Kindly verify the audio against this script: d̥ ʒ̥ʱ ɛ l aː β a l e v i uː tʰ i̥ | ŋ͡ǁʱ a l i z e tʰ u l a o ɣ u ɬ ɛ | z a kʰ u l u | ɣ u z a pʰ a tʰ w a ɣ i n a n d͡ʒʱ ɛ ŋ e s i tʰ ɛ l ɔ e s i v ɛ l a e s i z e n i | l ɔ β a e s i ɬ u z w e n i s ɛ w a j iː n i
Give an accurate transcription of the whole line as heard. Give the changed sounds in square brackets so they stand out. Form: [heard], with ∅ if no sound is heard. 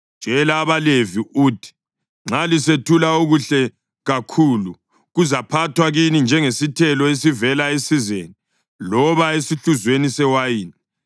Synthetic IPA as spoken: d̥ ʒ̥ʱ ɛ l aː β a l e v i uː tʰ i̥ | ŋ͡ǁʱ a l i [s] e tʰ u l a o ɣ u ɬ ɛ | [ɣ] a kʰ u l u | ɣ u z a pʰ a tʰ w a ɣ i n [i] n d͡ʒʱ ɛ ŋ e s i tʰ ɛ l ɔ e s i v ɛ l a e s i z e n i | l ɔ β a e s i ɬ u z w e n i s ɛ w a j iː n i